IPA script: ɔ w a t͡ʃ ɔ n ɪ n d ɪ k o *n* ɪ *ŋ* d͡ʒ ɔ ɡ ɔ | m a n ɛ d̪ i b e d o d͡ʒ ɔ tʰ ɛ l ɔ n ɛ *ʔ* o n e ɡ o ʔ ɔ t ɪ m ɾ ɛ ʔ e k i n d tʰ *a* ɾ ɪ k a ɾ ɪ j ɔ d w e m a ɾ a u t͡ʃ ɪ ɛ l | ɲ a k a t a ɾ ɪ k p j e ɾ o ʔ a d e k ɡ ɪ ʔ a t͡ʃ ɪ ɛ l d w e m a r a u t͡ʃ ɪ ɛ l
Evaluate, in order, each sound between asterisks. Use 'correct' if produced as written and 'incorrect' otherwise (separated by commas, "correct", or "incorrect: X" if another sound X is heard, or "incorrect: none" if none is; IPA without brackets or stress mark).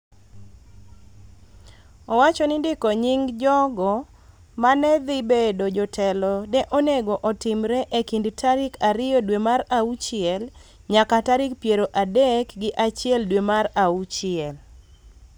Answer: incorrect: ɲ, correct, correct, correct